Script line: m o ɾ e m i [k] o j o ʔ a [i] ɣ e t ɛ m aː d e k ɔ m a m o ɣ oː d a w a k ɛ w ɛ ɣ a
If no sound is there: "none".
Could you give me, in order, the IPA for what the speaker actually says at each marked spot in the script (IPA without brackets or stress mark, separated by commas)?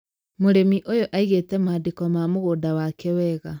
ʔ, i